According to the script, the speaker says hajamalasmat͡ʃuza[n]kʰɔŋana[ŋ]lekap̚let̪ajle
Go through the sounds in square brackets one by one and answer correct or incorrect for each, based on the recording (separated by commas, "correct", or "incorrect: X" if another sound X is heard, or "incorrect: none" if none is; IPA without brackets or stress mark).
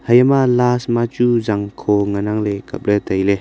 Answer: incorrect: ŋ, correct